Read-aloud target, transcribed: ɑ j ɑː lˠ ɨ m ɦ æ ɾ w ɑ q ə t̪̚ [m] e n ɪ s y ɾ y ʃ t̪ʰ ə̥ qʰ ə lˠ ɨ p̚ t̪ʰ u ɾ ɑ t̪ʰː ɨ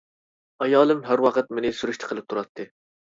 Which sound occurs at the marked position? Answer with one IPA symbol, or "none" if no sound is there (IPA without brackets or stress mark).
m